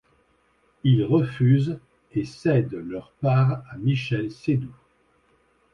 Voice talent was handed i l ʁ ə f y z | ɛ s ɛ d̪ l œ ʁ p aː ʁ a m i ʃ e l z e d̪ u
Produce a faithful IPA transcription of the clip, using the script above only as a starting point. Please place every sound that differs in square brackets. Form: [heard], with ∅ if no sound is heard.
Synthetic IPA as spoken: i l ʁ ə f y z | [e] s ɛ d̪ l œ ʁ p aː ʁ a m i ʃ [ɛ] l [s] e d̪ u